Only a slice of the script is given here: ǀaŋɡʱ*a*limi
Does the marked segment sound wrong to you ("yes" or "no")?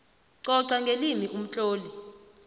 yes